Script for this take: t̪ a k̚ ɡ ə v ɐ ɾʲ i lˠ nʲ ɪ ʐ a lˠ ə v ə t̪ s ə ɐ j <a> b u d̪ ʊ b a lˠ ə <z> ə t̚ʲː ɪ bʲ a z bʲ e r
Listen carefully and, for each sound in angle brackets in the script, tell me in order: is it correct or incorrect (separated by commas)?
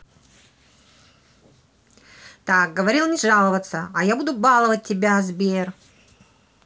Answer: correct, incorrect